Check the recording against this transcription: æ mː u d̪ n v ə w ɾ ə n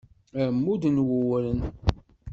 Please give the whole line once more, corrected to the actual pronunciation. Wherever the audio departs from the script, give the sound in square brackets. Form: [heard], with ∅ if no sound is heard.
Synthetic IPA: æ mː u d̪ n [w] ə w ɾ ə n